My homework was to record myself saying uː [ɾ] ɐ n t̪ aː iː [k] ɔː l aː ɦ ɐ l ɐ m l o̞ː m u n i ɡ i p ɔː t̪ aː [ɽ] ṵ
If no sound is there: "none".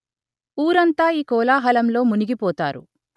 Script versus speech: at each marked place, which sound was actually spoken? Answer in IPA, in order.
ɾ, k, ɾ

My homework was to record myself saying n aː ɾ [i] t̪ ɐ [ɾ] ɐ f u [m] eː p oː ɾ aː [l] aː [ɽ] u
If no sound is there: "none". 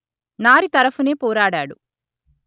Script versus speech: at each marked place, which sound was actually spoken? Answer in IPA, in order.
i, ɾ, n, ɽ, ɽ

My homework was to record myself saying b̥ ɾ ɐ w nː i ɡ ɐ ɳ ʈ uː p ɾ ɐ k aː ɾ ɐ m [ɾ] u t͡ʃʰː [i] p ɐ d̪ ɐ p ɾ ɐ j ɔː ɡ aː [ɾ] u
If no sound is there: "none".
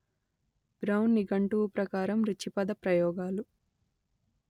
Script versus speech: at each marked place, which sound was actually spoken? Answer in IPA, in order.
ɾ, i, l

